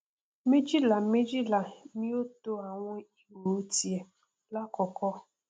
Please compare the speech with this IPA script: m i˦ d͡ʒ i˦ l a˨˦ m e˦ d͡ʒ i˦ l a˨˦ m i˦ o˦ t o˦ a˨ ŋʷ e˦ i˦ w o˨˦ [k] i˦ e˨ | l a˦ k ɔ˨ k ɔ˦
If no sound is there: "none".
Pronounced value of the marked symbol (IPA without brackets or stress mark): t